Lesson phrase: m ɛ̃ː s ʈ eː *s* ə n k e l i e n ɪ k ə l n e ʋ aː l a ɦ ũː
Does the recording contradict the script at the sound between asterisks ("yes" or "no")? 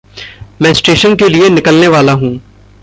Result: yes